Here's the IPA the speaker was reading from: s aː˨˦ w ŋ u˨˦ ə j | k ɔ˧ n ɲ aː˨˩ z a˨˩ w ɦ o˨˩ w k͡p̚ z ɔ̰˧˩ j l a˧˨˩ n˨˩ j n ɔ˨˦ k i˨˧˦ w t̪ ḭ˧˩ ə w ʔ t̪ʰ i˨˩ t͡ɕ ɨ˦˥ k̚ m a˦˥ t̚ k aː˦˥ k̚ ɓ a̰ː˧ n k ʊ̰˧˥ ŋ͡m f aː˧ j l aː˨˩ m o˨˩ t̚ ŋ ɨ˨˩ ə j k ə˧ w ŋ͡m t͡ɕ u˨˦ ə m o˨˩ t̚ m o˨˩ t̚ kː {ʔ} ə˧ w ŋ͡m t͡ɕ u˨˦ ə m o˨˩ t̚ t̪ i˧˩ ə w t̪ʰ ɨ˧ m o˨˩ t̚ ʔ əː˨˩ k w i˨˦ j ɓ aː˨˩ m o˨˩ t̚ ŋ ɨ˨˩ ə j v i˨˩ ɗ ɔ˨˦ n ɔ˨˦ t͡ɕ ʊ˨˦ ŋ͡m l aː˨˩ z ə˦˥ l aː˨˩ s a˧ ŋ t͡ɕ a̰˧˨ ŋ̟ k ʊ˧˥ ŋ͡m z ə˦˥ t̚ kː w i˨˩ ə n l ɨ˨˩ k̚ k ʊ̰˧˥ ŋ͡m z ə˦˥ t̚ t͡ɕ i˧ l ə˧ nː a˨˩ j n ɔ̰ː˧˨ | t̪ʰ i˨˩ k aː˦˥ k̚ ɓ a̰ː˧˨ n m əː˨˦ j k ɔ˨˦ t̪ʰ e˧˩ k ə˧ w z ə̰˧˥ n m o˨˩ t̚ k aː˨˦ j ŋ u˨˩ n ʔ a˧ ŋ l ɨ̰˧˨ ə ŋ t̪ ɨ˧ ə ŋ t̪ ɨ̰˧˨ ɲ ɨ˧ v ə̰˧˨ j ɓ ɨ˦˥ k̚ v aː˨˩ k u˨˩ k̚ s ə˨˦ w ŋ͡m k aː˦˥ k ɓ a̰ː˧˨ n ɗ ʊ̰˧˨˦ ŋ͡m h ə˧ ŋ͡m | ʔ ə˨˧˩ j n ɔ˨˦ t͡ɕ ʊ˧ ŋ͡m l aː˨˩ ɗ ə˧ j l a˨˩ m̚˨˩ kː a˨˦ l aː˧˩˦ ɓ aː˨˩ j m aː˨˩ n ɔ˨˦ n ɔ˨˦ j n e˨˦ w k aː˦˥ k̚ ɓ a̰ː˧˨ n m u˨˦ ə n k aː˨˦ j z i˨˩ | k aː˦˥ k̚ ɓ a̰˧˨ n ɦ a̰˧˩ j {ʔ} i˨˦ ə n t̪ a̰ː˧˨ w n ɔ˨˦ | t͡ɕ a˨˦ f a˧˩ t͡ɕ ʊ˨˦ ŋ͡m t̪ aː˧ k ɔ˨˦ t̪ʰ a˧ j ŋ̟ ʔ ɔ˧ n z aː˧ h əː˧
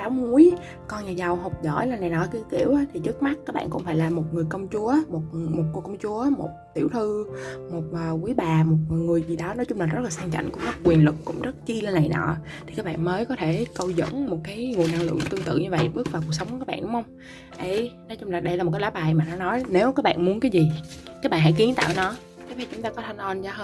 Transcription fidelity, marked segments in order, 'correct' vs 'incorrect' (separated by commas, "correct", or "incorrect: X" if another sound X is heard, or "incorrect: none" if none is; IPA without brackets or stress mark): incorrect: k, incorrect: k